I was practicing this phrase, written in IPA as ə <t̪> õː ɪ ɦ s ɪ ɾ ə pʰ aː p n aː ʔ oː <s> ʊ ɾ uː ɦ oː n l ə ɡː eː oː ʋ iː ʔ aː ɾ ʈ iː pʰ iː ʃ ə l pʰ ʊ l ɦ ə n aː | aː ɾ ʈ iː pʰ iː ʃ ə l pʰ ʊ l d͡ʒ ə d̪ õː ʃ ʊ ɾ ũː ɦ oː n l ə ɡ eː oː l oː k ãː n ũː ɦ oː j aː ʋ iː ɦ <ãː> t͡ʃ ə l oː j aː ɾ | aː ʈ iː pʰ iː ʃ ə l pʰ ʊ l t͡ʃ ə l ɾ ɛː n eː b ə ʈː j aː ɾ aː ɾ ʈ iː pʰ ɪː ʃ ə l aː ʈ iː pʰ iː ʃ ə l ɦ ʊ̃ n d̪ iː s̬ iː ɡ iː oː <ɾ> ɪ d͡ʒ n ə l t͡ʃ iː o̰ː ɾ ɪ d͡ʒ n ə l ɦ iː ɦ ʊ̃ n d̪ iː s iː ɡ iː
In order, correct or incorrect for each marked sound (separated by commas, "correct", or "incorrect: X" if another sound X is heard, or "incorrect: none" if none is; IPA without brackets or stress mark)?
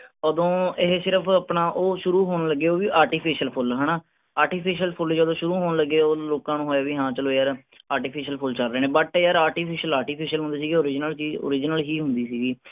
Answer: incorrect: d̪, incorrect: ʃ, correct, correct